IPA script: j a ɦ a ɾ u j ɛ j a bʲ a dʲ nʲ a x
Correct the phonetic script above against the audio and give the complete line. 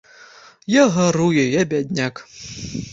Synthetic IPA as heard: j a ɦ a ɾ u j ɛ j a bʲ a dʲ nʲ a k